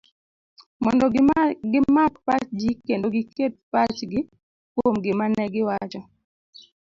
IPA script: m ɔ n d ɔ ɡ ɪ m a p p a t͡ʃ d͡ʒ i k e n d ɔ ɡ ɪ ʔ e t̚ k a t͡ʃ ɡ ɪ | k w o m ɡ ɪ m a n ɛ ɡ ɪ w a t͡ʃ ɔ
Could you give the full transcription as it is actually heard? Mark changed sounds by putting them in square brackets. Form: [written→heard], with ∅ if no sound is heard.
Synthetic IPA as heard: m ɔ n d ɔ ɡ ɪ m a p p a t͡ʃ d͡ʒ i k e n d [ɔ→o] ɡ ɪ [ʔ→k] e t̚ [k→p] a t͡ʃ ɡ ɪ | k w o m ɡ ɪ m a n ɛ ɡ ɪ w a t͡ʃ ɔ

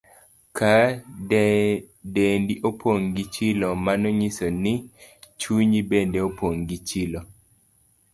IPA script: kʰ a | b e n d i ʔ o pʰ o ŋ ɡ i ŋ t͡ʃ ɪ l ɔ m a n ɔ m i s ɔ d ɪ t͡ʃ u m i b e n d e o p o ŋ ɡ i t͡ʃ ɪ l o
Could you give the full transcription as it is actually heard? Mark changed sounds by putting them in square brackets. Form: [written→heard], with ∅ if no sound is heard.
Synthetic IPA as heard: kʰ a | [b→d] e n d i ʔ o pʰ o ŋ ɡ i [ŋ→∅] t͡ʃ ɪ l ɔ m a n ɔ [m→ɲ] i s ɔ [d→n] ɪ t͡ʃ u [m→ɲ] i b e n d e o p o ŋ ɡ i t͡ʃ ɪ l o

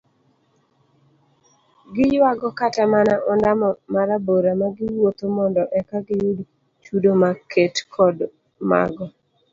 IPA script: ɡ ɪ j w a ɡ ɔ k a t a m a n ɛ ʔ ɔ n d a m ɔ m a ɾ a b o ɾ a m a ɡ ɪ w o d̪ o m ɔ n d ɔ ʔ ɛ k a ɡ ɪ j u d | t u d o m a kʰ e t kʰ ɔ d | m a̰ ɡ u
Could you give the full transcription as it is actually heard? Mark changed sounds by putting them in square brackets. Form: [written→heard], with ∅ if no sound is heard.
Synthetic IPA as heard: ɡ ɪ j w a ɡ ɔ k a t a m a n [ɛ→a] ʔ ɔ n d a m ɔ m a ɾ a b o ɾ a m a ɡ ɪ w o [d̪→t̪] o m ɔ n d ɔ ʔ ɛ k a ɡ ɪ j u d | [t→t͡ʃ] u d o m a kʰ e t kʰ ɔ d | m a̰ ɡ [u→ɔ]

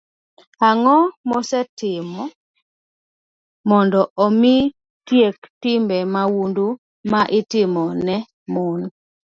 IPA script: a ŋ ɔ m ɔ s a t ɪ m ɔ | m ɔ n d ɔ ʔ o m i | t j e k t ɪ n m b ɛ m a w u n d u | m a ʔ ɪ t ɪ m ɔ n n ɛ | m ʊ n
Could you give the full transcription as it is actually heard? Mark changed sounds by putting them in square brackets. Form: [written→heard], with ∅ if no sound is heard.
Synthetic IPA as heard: a ŋ ɔ m ɔ s [a→ɛ] t ɪ m ɔ | m ɔ n d ɔ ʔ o m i | t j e k t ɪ [n→∅] m b ɛ m a w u n d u | m a ʔ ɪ t ɪ m ɔ n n ɛ | m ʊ n

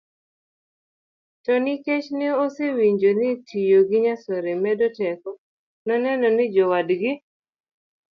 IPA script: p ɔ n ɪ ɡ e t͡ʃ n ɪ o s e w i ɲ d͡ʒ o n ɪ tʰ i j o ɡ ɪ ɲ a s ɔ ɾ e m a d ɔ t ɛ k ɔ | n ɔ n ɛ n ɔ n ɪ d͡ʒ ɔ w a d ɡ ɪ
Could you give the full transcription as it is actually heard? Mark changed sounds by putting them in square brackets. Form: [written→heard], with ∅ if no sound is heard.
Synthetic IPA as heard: [p→t] ɔ n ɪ [ɡ→k] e t͡ʃ n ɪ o s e w i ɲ d͡ʒ o n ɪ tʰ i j o ɡ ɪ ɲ a s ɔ ɾ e m [a→ɛ] d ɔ t ɛ k ɔ | n ɔ n ɛ n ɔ n ɪ d͡ʒ ɔ w a d ɡ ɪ

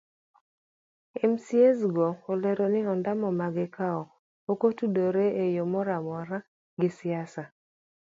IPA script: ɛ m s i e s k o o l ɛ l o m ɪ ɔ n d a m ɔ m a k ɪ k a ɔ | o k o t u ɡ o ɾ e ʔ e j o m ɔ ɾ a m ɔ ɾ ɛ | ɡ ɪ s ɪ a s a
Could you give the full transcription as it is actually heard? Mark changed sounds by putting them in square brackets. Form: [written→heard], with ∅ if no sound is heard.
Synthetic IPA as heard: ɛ m s i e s [k→ɡ] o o l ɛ [l→ɾ] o [m→n] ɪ ɔ n d a m ɔ m a [k→ɡ] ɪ k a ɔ | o k o t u [ɡ→d] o ɾ e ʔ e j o m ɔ ɾ a m ɔ ɾ [ɛ→a] | ɡ ɪ s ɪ a s a

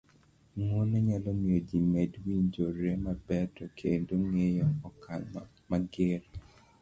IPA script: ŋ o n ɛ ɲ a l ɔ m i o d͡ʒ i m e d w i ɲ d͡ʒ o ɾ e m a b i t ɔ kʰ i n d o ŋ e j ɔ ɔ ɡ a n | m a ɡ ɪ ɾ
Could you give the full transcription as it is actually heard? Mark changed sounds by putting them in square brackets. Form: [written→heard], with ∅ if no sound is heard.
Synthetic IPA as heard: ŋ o n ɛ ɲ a l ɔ m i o d͡ʒ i m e d w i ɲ d͡ʒ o ɾ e m a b [i→ɛ] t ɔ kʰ [i→e] n d o ŋ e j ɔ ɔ [ɡ→k] a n | m a ɡ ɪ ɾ

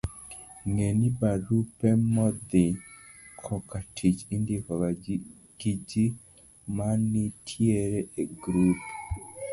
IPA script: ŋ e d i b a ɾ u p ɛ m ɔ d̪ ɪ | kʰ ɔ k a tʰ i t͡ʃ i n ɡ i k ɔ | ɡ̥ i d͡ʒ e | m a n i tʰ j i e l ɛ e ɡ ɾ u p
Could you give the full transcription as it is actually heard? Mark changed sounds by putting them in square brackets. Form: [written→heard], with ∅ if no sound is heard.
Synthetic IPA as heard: ŋ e [d→n] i b a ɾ u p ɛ m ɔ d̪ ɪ | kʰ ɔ k a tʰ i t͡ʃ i n [ɡ→d] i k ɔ | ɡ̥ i d͡ʒ [e→i] | m a n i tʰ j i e [l→ɾ] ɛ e ɡ ɾ u p

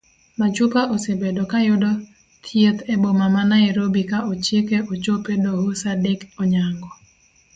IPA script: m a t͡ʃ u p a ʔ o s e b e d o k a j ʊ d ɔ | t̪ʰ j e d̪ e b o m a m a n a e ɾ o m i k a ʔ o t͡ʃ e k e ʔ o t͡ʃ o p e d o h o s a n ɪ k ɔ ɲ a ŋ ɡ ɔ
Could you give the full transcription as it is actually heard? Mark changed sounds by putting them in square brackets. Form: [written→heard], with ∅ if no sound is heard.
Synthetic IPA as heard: m a t͡ʃ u p a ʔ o s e b e d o k a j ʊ d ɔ | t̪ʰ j e [d̪→t̪] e b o m a m a n a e ɾ o [m→b] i k a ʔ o t͡ʃ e k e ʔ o t͡ʃ o p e d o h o s a [n→d] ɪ k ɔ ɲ a ŋ ɡ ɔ

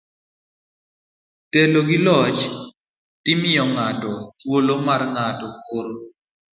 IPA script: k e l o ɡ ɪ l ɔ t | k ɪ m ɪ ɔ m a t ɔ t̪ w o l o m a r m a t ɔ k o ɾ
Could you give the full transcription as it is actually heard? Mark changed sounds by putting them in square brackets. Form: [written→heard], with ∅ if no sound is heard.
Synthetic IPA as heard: [k→t] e l o ɡ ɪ l ɔ [t→t͡ʃ] | [k→t] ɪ m ɪ ɔ [m→ŋ] a t ɔ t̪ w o l o m a r [m→ŋ] a t ɔ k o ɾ

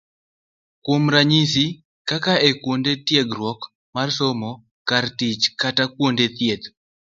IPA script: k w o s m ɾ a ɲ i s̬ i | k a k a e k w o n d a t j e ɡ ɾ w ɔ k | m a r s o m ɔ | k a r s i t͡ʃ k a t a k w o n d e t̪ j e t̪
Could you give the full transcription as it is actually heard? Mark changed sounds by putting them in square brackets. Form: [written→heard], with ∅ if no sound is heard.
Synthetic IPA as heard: k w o [s→∅] m ɾ a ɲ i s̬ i | k a k a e k w o n d [a→e] t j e ɡ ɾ w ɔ k | m a r s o m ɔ | k a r [s→t] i t͡ʃ k a t a k w o n d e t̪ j e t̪

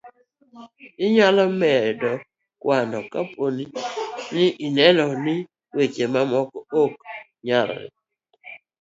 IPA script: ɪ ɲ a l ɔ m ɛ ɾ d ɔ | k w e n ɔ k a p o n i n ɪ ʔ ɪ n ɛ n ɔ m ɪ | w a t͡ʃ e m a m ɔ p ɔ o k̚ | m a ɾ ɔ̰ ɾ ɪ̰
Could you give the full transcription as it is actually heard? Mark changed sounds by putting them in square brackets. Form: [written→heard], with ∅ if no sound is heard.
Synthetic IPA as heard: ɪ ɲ a l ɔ m ɛ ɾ d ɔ | k w [e→a] n ɔ k a p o n i n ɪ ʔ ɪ n ɛ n ɔ [m→n] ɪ | w [a→e] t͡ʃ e m a m ɔ [p→k] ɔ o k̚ | [m→ɲ] a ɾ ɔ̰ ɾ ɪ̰

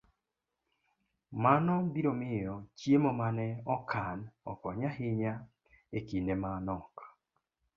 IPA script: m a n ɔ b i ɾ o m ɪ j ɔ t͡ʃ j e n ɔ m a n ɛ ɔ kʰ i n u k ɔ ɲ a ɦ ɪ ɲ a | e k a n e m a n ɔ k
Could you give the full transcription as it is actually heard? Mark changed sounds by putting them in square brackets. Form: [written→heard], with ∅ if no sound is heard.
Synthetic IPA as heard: m a n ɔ b i ɾ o m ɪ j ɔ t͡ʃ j e [n→m] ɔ m a n ɛ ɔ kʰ [i→a] n [u→ɔ] k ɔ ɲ a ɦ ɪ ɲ a | e k [a→i] n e m a n ɔ k

